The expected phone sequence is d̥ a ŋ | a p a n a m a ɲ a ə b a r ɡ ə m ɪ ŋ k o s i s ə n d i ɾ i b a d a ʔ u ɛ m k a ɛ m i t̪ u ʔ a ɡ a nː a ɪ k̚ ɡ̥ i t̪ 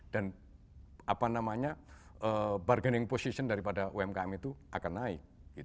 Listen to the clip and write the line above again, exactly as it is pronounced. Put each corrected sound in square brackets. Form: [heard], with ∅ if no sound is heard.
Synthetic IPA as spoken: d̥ a [n] | a p a n a m a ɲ a ə b a r ɡ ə [n] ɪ ŋ [p] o s i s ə n d [a] ɾ i [p] a d a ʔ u ɛ m k a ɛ m i t̪ u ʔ a [k] a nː a ɪ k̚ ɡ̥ i t̪